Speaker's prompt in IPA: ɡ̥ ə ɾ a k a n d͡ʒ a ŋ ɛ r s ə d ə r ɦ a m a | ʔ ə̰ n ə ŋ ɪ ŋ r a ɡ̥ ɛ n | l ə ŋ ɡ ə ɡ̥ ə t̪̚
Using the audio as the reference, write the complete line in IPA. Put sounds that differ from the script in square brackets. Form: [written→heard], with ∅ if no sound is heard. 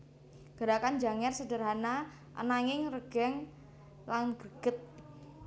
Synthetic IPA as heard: ɡ̥ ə ɾ a k a n d͡ʒ a ŋ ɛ r s ə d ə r ɦ a [m→n] a | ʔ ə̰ n [ə→a] ŋ ɪ ŋ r [a→ə] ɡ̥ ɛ [n→ŋ] | l [ə→a] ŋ ɡ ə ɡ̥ ə t̪̚